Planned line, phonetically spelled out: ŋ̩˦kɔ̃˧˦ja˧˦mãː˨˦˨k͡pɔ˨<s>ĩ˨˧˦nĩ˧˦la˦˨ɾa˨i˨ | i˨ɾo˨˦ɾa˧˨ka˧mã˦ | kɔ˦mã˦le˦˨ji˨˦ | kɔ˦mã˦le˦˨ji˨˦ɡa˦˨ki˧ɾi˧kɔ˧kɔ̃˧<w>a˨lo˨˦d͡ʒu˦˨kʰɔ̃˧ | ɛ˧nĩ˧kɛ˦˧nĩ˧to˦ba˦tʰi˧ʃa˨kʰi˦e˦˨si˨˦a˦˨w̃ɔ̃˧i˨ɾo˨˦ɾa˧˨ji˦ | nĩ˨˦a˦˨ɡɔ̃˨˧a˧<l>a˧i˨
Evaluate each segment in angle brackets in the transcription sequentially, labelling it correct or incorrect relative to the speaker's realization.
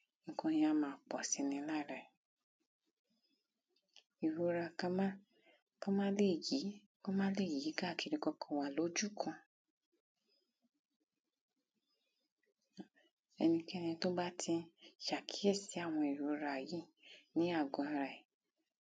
correct, correct, incorrect: ɾ

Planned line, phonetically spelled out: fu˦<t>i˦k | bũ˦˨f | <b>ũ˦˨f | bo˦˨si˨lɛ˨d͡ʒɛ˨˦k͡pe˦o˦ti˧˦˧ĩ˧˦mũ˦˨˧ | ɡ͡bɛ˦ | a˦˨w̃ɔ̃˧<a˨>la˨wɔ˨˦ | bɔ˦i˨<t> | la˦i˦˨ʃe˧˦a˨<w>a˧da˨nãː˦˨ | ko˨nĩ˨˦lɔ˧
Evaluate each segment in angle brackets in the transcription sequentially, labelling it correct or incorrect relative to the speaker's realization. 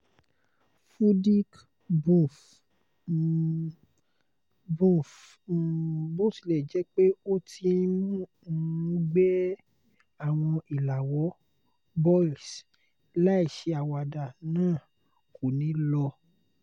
incorrect: d, correct, incorrect: i˨, incorrect: s, correct

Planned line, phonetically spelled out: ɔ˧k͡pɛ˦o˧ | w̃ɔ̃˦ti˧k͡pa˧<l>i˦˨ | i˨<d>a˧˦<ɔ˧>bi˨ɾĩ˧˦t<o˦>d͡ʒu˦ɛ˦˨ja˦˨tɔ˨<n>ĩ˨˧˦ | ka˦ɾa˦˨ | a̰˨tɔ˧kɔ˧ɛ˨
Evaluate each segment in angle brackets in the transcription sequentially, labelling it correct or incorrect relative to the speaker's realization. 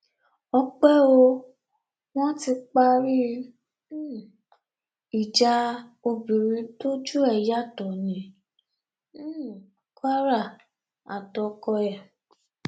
incorrect: ɾ, incorrect: d͡ʒ, incorrect: o˧, correct, correct

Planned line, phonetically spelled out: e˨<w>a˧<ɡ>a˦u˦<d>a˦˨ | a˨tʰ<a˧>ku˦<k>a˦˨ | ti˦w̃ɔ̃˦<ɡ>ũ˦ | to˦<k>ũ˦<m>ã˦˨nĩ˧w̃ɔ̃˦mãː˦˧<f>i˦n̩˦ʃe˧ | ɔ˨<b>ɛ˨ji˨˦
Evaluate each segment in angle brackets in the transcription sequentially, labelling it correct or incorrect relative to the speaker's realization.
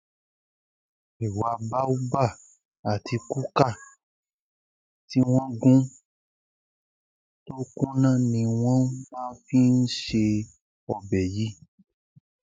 correct, incorrect: b, incorrect: b, incorrect: i˧, correct, correct, correct, incorrect: n, correct, correct

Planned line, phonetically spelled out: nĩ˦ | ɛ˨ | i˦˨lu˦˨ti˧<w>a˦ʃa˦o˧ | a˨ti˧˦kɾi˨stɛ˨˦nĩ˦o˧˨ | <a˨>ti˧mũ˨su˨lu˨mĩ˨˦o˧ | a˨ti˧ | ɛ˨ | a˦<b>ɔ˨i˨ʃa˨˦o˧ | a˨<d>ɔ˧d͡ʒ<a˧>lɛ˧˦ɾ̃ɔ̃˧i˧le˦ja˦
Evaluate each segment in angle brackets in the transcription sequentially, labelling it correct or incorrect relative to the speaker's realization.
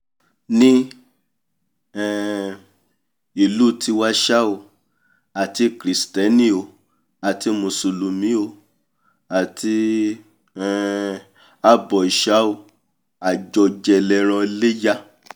correct, correct, correct, incorrect: d͡ʒ, incorrect: ɛ˧

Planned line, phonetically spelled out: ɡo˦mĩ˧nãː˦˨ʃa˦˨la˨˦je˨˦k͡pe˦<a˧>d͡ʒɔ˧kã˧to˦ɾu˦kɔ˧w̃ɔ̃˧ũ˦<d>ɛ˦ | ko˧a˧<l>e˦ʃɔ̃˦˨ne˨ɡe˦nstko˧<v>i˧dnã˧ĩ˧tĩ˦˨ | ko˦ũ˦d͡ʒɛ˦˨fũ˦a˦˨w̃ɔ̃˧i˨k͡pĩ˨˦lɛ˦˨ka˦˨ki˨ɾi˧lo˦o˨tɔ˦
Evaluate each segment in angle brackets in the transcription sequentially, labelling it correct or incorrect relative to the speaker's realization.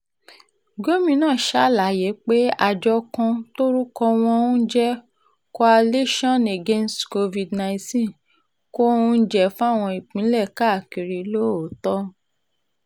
correct, incorrect: d͡ʒ, correct, correct

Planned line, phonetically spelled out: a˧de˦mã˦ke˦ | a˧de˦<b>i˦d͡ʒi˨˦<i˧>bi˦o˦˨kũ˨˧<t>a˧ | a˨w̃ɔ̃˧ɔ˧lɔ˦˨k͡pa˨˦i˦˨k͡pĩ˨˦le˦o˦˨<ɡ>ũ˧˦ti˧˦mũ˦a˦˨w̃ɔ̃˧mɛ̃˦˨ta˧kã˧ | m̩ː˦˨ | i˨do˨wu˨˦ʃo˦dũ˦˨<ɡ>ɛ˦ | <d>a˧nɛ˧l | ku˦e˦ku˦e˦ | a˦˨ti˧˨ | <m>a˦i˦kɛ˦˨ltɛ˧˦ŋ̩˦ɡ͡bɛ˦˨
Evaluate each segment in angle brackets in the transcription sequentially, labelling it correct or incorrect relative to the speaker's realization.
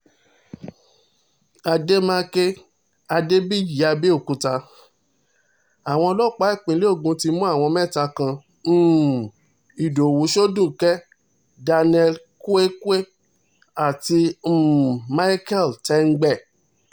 correct, incorrect: a˧, correct, correct, incorrect: k, correct, correct

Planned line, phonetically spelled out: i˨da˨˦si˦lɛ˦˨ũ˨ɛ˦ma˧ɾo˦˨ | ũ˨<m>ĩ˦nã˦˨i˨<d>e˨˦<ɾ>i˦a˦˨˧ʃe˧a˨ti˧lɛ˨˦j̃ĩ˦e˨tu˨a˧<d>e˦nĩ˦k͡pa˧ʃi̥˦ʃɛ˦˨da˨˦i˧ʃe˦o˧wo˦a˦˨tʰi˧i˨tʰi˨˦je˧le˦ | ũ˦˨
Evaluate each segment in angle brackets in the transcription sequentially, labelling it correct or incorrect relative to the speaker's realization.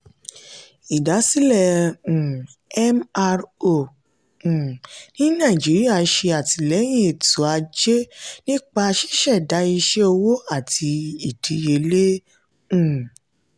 incorrect: n, incorrect: d͡ʒ, correct, incorrect: d͡ʒ

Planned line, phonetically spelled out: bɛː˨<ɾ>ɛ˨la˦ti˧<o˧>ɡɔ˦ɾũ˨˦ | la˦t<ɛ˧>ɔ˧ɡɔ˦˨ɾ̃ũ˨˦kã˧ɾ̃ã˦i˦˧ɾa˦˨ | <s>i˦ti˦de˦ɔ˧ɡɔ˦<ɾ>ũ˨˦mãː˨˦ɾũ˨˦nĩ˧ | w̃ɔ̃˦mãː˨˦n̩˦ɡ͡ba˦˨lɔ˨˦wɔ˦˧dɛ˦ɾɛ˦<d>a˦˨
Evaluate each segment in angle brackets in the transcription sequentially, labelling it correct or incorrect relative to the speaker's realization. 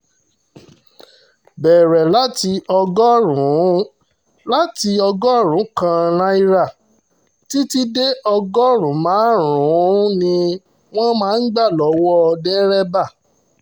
correct, incorrect: ɔ˧, incorrect: i˧, incorrect: t, correct, incorrect: b

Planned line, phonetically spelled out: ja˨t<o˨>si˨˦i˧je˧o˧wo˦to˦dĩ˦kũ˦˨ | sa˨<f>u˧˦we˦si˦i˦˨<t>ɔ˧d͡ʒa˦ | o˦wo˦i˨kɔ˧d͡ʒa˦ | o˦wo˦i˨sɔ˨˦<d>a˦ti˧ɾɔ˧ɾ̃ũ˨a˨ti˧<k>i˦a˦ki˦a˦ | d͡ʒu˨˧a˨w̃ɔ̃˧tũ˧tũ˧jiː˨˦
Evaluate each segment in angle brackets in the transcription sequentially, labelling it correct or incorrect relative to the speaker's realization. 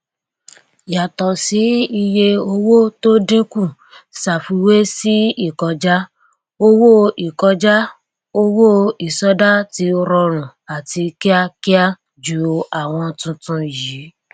incorrect: ɔ˨, correct, incorrect: k, correct, correct

